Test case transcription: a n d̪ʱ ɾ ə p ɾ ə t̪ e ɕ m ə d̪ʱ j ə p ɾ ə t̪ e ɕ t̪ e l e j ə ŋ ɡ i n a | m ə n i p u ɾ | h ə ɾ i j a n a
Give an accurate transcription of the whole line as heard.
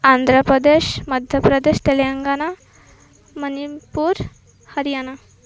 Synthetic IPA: a n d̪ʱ ɾ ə p ɾ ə d̪ e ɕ m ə d̪ʱ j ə p ɾ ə d̪ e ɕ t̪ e l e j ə ŋ ɡ a n a | m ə n i p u ɾ | h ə ɾ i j a n a